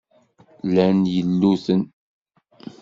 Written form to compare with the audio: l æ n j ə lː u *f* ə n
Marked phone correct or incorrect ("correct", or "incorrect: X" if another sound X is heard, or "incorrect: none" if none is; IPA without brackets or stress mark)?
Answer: incorrect: θ